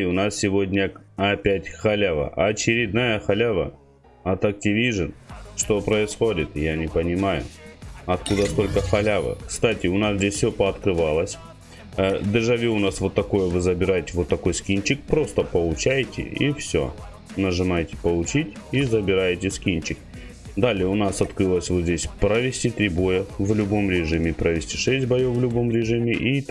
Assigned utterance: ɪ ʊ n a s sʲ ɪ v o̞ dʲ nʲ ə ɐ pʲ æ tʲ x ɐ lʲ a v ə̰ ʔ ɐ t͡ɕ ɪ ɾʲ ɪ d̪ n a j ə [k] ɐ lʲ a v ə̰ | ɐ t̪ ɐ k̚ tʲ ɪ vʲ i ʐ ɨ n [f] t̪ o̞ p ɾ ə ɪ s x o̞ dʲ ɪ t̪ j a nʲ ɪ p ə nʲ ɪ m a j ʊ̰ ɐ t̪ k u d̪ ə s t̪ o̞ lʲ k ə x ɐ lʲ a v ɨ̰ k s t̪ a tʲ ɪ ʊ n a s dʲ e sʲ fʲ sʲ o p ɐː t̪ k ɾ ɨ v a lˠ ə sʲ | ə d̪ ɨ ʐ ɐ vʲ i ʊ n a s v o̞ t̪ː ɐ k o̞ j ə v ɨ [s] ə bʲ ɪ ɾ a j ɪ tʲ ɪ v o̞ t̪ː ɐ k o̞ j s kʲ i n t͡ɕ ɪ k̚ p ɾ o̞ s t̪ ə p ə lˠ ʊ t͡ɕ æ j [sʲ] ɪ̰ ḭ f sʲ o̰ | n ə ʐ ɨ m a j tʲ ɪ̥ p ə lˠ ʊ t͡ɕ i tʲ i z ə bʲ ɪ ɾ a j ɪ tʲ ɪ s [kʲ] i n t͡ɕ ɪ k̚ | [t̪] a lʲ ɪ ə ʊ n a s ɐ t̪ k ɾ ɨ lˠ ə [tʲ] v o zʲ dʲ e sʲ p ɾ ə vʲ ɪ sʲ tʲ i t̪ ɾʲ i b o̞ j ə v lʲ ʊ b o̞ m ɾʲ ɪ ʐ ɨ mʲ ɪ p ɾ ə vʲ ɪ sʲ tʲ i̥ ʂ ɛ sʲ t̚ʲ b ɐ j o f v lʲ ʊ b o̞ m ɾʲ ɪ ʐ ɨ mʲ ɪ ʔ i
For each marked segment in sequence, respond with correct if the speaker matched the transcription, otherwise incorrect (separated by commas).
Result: incorrect, incorrect, incorrect, incorrect, correct, incorrect, incorrect